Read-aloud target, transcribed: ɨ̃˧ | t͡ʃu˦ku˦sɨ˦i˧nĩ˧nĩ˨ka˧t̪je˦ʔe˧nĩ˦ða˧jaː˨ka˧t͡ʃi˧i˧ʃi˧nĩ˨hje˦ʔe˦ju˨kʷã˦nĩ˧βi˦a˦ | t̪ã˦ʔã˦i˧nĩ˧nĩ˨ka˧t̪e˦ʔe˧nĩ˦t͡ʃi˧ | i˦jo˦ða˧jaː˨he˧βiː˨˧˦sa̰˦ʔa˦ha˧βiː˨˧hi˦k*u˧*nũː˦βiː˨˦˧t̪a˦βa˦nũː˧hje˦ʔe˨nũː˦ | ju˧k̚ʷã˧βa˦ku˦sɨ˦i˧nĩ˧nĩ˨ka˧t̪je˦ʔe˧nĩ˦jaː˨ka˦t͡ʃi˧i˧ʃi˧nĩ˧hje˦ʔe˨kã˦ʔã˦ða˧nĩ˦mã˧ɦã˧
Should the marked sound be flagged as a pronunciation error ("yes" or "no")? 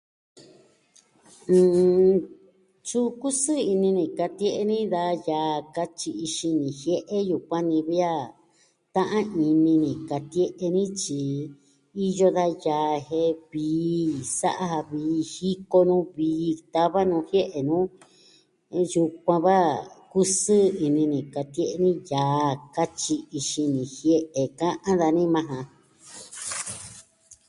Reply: yes